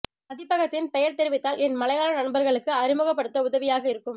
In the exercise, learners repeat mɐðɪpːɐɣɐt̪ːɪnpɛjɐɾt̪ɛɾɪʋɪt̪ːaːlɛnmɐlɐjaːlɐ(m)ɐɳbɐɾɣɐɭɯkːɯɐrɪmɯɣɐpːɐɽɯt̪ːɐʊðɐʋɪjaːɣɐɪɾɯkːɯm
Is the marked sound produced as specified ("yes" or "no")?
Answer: no